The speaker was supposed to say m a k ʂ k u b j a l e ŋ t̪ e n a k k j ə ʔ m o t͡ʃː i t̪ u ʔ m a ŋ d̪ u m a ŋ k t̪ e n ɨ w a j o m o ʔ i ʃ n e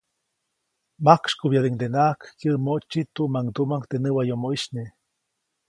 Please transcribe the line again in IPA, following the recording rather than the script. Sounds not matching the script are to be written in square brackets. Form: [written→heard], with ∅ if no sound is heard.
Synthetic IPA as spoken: m a k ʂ k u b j a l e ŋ [t̪→d̪] e n a k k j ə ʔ m o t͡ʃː i t̪ u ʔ m a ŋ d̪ u m a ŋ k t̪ e n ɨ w a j o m o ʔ i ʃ n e